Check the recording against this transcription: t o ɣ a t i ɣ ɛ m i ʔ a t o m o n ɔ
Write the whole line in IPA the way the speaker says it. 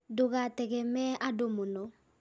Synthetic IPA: d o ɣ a t ɛ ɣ ɛ m ɛ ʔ a d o m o n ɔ

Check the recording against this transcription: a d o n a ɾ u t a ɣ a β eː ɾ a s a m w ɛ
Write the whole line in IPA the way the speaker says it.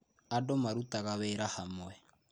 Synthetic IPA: a d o m a ɾ u t a ɣ a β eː ɾ a h a m w ɛ

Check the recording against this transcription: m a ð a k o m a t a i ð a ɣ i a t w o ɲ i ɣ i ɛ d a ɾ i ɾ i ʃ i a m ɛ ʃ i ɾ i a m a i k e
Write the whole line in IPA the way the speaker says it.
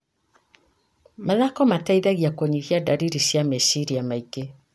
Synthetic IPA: m a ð a k ɔ m a t a i ð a ɣ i a k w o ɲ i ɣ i a d a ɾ i ɾ i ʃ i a m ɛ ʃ i ɾ i a m a i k e

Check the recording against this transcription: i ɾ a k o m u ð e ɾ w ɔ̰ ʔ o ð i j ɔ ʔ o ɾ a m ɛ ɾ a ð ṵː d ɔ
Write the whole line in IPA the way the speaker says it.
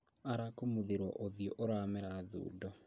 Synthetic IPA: a ɾ a k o m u ð e ɾ w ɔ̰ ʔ o ð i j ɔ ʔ o ɾ a m ɛ ɾ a ð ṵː d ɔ

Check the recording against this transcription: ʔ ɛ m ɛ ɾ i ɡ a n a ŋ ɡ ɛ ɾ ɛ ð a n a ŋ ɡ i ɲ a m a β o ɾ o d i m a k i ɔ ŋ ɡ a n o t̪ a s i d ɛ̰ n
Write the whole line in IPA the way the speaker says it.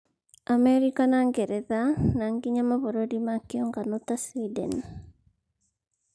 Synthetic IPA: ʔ a m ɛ ɾ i k a n a ŋ ɡ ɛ ɾ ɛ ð a n a ŋ ɡ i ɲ a m a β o ɾ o d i m a k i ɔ ŋ ɡ a n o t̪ a s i d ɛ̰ n

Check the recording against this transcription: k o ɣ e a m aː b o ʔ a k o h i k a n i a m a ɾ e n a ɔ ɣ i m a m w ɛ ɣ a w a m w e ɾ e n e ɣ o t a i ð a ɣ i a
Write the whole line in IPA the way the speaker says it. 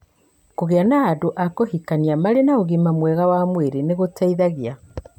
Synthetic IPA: k o ɣ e a n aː d o ʔ a k o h i k a n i a m a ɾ e n a o ɣ i m a m w ɛ ɣ a w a m w e ɾ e n e ɣ o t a i ð a ɣ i a

